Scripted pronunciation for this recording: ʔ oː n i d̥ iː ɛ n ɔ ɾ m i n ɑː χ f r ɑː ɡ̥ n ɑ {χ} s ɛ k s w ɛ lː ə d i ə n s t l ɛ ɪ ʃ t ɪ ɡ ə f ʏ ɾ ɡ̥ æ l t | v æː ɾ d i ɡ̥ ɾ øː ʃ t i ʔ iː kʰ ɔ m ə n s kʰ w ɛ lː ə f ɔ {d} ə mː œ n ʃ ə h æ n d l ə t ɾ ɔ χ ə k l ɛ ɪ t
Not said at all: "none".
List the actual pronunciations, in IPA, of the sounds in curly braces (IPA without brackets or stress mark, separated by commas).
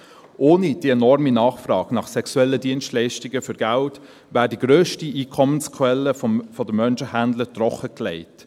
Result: χ, d